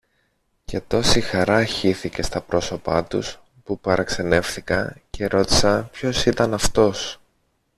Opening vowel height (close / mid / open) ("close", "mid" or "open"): mid